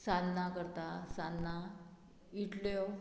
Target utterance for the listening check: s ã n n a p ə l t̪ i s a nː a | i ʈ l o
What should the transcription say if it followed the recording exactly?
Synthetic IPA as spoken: s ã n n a k ə ɾ t̪ a s a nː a | i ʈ l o